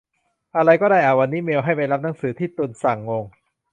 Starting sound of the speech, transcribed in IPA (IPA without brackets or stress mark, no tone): ʔ